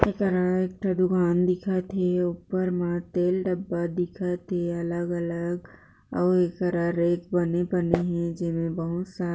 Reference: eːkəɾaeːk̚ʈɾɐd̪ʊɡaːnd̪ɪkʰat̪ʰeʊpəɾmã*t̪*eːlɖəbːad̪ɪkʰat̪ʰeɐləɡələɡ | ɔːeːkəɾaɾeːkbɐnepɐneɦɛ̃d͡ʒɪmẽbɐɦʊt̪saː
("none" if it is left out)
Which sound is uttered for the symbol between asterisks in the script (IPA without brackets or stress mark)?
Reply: t̪